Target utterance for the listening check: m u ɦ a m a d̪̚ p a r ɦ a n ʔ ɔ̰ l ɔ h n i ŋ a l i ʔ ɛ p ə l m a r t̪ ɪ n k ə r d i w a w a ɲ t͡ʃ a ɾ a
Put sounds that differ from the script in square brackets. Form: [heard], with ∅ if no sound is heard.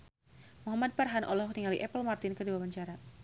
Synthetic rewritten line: m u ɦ a m a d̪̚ p a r ɦ a n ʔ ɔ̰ l ɔ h n i ŋ a l i ʔ ɛ p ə l m a r t̪ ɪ n k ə r d i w a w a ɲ t͡ʃ a ɾ a